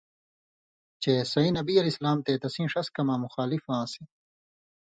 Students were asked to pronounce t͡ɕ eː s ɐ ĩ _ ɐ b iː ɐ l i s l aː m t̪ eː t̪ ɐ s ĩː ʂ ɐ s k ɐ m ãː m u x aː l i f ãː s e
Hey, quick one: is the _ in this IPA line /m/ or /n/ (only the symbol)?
n